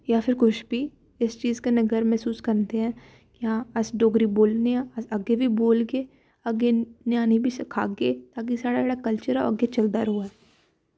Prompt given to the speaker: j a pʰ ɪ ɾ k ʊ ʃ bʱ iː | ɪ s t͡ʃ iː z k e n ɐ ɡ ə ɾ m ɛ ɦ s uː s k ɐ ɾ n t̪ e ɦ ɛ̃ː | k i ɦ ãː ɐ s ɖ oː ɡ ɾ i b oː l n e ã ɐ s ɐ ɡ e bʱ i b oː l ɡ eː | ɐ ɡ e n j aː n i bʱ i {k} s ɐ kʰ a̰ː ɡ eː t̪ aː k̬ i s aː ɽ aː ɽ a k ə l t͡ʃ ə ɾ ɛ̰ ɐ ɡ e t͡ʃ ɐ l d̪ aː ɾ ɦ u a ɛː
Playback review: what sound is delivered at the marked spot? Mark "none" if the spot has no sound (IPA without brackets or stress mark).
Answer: none